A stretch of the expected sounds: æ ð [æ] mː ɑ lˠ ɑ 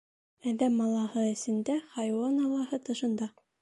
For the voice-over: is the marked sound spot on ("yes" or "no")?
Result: yes